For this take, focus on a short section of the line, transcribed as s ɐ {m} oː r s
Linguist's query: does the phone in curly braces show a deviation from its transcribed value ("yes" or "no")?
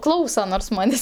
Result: yes